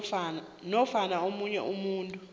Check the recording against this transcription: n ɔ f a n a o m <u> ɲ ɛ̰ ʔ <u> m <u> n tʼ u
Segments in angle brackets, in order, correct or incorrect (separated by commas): correct, correct, incorrect